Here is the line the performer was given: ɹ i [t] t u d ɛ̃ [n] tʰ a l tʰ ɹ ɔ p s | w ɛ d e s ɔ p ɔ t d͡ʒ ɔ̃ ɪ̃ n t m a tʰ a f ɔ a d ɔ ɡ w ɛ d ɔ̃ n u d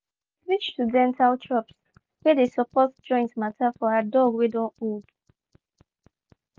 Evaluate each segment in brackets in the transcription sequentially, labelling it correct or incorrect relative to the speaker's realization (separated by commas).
incorrect, correct